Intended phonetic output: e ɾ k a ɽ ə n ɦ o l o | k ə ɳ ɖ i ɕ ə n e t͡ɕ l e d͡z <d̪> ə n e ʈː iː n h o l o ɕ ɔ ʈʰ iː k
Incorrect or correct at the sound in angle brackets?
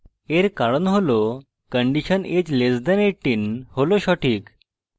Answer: correct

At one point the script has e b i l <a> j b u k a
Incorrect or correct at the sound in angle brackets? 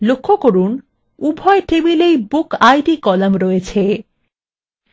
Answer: incorrect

